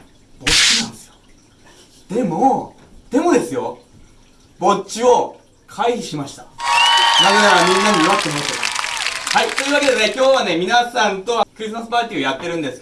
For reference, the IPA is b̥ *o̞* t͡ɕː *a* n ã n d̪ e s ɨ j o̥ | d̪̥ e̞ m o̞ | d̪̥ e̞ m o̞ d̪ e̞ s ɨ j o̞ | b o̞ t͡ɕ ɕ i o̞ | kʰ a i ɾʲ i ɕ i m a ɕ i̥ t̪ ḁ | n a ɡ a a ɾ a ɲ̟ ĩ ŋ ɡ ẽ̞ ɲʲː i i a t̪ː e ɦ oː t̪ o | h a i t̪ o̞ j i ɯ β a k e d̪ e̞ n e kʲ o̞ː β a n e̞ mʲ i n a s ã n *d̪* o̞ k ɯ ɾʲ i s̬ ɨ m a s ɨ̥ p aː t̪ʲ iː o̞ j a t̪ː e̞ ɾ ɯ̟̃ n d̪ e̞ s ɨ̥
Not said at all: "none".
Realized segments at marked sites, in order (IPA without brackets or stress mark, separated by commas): o̞, i, t̪